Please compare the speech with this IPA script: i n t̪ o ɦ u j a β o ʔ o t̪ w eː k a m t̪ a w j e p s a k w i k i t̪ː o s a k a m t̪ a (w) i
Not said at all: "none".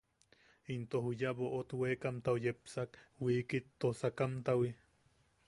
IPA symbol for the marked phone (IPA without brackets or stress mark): w